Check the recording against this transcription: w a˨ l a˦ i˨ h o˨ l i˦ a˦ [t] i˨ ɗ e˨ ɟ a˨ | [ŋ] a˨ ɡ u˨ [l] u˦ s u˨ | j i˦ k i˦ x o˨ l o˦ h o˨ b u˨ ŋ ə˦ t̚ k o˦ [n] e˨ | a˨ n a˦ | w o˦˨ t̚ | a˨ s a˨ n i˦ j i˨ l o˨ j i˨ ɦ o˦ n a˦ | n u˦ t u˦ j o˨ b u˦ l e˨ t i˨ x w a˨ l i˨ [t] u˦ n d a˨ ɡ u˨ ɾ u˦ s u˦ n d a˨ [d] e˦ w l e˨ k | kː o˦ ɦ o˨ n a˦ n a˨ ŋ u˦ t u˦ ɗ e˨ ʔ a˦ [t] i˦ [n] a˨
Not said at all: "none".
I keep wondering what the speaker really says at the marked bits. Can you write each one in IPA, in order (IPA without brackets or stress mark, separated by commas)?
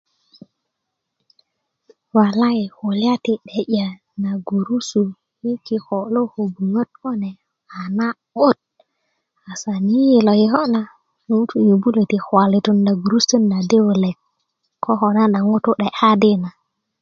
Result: t, n, ɾ, n, t, d, d, n